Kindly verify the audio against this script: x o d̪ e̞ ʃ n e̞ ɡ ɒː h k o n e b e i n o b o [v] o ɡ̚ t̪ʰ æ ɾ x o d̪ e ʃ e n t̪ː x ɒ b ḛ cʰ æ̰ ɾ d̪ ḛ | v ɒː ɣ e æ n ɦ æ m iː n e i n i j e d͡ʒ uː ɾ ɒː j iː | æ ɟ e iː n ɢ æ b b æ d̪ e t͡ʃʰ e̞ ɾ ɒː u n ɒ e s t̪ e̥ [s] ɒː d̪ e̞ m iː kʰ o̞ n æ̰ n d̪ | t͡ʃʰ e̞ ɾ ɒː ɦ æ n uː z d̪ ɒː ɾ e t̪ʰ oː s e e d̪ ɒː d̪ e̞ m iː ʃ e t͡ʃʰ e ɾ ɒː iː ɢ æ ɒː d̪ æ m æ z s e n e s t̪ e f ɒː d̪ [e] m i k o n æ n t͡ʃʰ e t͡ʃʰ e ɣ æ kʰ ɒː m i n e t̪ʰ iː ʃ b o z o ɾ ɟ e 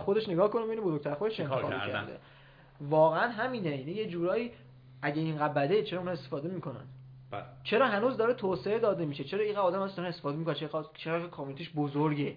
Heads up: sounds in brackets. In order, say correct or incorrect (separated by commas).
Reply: incorrect, incorrect, correct